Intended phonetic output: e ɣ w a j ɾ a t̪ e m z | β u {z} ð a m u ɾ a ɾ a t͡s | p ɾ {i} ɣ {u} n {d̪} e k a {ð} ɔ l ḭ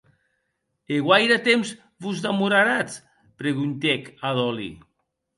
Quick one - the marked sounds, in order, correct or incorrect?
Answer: correct, incorrect: e, correct, incorrect: t̪, correct

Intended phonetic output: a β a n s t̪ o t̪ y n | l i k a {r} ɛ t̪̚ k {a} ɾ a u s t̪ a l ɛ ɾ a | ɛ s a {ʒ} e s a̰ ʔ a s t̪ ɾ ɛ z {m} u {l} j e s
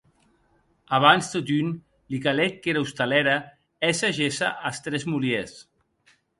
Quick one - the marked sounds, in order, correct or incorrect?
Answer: incorrect: l, incorrect: e, correct, correct, correct

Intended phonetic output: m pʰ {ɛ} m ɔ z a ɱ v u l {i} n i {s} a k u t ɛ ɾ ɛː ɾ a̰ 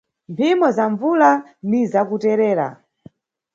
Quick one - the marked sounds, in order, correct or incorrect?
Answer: incorrect: i, incorrect: a, incorrect: z

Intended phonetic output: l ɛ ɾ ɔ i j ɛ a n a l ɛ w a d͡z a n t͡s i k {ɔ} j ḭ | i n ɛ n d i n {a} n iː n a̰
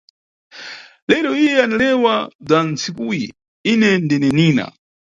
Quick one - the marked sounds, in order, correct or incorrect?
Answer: incorrect: u, incorrect: ɛ

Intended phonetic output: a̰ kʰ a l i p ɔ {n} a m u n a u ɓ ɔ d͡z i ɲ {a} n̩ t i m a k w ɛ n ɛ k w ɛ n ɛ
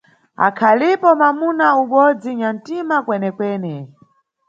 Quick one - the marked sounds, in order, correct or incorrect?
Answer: incorrect: m, correct

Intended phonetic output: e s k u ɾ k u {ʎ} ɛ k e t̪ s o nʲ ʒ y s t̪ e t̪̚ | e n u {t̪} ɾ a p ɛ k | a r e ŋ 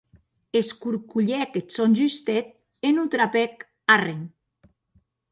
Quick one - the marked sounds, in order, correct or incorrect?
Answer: correct, correct

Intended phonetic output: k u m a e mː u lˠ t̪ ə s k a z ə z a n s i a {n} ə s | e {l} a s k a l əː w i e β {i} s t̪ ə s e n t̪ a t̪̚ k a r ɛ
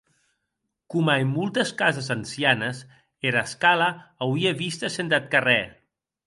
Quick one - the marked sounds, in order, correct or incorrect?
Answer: correct, incorrect: ɾ, correct

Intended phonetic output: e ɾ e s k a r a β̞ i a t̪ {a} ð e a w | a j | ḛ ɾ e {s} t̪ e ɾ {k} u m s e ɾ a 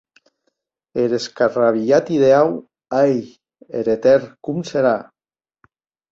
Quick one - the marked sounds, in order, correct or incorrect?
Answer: incorrect: i, incorrect: none, correct

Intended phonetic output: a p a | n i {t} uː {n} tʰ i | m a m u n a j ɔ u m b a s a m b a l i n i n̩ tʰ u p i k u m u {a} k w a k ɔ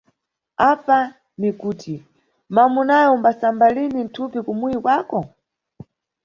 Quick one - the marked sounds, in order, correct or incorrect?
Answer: incorrect: k, incorrect: none, incorrect: i

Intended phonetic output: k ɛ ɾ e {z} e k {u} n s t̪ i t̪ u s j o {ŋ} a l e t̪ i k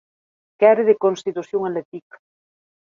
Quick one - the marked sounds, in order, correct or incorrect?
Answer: incorrect: ð, incorrect: o, correct

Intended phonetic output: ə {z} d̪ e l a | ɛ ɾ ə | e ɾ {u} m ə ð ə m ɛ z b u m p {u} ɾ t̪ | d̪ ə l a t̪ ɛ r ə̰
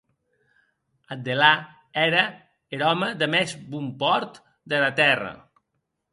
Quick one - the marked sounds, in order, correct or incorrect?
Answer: incorrect: none, incorrect: ɔ, incorrect: ɔ

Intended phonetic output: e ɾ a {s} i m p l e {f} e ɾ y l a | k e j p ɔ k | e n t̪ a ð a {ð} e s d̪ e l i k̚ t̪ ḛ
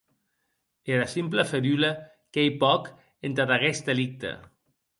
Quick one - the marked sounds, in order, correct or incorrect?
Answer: correct, correct, incorrect: ɣ

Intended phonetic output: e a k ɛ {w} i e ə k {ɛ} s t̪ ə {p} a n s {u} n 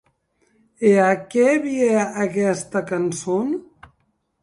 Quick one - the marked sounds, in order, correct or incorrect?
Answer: incorrect: β, correct, incorrect: k, incorrect: o

